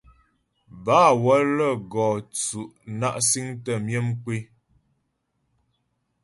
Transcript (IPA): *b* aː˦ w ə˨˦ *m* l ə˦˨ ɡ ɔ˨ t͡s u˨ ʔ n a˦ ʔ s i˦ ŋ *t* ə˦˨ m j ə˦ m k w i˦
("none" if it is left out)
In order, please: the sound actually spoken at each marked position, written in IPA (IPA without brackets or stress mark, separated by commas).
b, none, t